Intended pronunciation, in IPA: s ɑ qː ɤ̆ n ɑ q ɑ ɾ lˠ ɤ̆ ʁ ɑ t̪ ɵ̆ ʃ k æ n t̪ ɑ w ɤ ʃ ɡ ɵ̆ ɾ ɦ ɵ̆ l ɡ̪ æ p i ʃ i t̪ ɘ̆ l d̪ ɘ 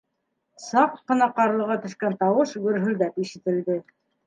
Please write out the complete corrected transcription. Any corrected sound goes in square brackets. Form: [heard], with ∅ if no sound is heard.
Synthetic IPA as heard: s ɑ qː ɤ̆ n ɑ q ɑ ɾ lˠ ɤ̆ ʁ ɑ t̪ ɵ̆ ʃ k æ n t̪ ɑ w ɤ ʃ ɡ ɵ̆ ɾ ɦ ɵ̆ l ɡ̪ æ p i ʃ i t̪ ɘ̆ l d̪ ɘ